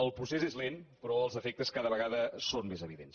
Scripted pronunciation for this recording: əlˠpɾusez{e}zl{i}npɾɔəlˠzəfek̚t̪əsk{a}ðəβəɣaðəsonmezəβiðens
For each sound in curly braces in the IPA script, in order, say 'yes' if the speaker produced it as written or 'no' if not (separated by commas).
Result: yes, no, yes